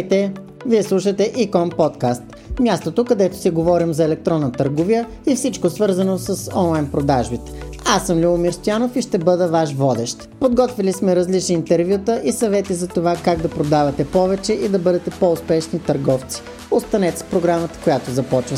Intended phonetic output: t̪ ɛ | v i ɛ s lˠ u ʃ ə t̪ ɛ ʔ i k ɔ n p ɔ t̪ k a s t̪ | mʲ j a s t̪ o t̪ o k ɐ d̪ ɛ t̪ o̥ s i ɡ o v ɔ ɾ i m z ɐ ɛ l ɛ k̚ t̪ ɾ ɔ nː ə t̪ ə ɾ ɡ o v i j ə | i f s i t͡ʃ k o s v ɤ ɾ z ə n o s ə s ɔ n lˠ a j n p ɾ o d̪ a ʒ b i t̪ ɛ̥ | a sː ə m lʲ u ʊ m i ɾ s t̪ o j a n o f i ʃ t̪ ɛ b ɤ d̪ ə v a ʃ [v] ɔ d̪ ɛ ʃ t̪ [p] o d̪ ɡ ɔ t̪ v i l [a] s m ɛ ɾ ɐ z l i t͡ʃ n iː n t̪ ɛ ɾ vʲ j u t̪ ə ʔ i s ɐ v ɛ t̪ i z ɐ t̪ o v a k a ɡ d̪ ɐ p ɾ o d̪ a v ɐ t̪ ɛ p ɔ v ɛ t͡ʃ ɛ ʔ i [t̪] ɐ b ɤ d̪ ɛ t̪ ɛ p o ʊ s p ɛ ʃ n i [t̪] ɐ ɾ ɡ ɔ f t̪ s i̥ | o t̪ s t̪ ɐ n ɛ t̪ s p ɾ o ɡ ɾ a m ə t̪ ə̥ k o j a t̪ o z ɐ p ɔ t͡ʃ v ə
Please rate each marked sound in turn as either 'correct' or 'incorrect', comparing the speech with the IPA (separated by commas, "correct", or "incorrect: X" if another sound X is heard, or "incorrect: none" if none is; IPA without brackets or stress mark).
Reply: correct, correct, incorrect: i, incorrect: d̪, correct